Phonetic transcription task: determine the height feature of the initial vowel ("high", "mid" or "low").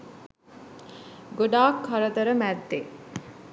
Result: mid